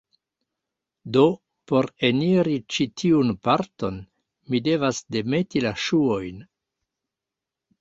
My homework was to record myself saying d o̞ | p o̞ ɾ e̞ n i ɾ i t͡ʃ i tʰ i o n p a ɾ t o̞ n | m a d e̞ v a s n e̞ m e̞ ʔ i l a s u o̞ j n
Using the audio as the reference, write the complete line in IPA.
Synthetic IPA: d o̞ | p o̞ ɾ e̞ n i ɾ i t͡ʃ i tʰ i u n p a ɾ t o̞ n | m i d e̞ v a s d e̞ m e̞ t i l a ʃ u o̞ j n